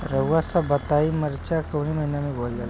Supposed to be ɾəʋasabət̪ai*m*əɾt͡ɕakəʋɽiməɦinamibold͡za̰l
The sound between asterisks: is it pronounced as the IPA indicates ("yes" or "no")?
yes